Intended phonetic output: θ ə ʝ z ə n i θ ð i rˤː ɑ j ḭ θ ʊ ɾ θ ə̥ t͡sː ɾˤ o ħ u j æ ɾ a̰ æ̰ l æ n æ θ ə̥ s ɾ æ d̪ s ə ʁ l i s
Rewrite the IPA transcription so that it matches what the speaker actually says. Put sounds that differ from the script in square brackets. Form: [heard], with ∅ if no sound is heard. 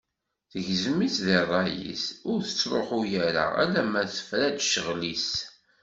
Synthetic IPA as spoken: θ ə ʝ z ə [m] i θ ð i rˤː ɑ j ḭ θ ʊ ɾ θ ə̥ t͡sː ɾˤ o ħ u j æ ɾ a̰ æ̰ l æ [m] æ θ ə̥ [f] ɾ æ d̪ [ʃ] ə ʁ l i s